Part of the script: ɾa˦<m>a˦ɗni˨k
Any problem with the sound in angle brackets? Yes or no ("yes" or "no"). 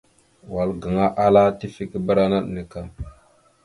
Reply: yes